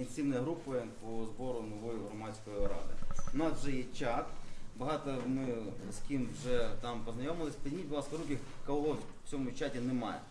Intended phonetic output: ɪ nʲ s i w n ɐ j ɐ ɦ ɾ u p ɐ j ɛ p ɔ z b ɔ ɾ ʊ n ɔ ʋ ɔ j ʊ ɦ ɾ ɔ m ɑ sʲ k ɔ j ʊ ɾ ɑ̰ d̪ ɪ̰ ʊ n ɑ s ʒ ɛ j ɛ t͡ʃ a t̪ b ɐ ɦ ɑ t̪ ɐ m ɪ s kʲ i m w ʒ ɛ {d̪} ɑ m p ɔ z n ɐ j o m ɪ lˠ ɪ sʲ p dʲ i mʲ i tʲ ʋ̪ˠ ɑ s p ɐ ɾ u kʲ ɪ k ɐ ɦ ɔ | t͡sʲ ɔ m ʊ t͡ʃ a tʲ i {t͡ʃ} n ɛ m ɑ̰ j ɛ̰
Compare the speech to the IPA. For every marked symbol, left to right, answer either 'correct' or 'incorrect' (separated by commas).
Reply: incorrect, incorrect